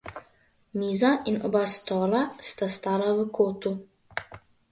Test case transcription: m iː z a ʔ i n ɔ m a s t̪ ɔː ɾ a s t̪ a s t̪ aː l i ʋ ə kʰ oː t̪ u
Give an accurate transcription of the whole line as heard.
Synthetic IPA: m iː z a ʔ i n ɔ b a s t̪ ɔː l a s t̪ a s t̪ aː l a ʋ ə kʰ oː t̪ u